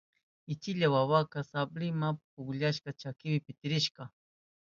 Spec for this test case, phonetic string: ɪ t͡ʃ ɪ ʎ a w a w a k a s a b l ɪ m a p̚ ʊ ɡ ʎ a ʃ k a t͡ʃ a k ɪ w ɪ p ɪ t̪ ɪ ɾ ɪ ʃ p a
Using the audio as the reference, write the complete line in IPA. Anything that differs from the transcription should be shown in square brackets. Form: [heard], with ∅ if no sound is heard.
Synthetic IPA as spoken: ɪ t͡ʃ ɪ ʎ a w a w a k a s a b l ɪ m a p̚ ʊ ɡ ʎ a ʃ k a t͡ʃ a k ɪ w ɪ p ɪ t̪ ɪ ɾ ɪ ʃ [k] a